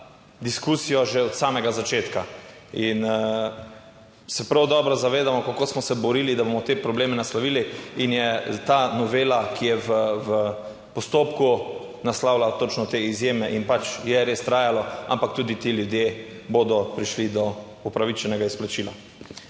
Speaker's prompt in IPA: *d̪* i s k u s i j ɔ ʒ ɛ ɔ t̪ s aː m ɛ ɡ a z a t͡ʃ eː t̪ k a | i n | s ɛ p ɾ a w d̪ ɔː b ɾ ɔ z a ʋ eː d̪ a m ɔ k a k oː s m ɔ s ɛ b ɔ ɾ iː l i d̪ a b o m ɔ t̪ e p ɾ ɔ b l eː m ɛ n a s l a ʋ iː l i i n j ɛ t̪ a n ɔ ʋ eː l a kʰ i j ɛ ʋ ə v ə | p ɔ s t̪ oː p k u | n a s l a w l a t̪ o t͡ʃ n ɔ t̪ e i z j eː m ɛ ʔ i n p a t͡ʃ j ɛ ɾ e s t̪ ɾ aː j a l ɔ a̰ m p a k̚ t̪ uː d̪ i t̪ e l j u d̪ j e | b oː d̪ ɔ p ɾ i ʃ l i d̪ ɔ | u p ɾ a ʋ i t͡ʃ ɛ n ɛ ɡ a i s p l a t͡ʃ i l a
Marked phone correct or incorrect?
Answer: correct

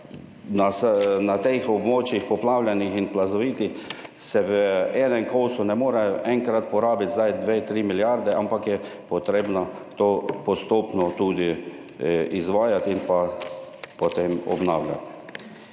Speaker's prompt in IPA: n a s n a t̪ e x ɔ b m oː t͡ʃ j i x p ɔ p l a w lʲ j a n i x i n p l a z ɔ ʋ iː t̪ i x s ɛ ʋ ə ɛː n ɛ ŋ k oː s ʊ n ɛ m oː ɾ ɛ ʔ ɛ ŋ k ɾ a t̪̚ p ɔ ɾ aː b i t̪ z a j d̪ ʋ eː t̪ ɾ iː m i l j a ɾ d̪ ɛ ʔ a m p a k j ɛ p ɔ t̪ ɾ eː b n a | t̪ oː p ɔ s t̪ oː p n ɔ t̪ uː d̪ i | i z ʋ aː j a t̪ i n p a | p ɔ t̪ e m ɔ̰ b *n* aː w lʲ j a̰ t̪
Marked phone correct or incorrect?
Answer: correct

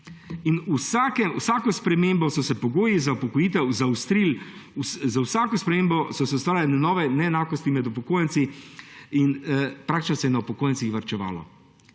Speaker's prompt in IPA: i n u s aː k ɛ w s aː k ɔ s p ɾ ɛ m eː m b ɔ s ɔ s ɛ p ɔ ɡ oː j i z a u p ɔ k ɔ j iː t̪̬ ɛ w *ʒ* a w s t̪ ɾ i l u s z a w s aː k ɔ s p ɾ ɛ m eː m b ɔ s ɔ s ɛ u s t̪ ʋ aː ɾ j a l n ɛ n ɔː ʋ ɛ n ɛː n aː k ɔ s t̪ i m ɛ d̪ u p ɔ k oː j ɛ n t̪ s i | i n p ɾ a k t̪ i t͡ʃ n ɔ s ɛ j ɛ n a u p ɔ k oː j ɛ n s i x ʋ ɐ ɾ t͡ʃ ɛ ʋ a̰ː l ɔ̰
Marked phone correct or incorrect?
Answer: incorrect: z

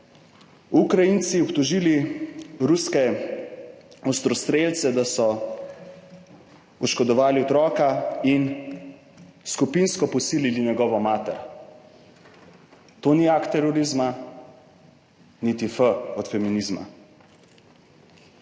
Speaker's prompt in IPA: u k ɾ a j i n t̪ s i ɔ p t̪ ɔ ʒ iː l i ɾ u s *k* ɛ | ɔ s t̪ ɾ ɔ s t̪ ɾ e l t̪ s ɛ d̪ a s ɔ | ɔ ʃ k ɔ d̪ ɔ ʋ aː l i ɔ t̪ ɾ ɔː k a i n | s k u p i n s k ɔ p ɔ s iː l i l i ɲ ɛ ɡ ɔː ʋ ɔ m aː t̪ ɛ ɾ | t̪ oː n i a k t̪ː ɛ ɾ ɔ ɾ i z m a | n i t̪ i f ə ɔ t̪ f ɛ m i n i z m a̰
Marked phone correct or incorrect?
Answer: correct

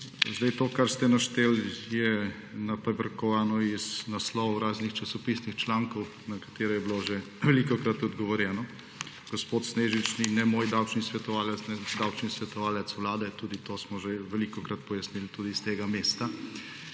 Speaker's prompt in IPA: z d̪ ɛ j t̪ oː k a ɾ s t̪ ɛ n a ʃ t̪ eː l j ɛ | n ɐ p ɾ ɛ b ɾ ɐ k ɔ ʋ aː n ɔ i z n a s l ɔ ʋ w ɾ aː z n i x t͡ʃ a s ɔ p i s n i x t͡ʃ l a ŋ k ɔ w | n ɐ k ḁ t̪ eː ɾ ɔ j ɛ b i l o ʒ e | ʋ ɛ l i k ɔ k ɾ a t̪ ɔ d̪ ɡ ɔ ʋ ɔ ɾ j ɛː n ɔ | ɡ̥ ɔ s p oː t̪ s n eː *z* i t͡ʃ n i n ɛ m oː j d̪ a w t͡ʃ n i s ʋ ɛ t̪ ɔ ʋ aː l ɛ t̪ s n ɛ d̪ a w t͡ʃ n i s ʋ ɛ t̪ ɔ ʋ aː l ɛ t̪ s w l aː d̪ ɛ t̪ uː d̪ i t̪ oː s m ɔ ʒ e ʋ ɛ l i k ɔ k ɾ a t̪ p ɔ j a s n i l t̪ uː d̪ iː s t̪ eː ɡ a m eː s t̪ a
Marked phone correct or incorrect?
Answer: incorrect: ʒ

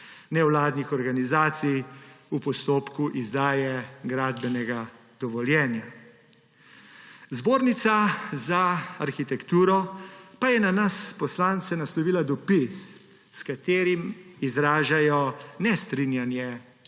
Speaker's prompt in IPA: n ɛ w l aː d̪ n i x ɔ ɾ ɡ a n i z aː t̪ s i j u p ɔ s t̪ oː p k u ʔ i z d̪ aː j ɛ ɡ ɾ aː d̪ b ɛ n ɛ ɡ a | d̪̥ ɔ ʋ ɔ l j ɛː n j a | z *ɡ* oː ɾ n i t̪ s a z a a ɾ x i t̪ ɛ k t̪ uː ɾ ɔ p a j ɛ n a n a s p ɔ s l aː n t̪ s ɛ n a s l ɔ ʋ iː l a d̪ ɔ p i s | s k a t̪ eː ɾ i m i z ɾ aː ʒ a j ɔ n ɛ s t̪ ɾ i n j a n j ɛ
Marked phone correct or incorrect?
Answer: incorrect: b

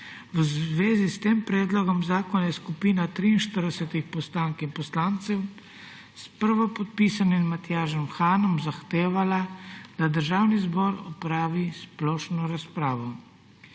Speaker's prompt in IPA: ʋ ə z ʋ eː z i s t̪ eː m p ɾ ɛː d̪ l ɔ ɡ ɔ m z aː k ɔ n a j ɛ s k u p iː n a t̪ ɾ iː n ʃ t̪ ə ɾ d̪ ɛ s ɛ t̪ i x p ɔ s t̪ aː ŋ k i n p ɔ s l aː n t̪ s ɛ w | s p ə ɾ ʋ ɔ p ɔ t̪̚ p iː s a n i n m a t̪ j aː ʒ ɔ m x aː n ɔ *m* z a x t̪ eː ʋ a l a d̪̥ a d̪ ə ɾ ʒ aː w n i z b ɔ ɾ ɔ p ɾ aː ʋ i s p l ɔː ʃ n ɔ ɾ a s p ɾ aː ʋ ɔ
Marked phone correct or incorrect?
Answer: correct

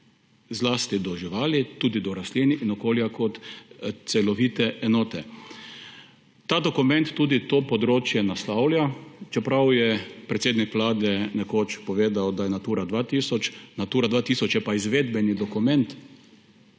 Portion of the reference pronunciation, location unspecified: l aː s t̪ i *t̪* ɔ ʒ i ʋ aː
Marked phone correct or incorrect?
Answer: incorrect: d̪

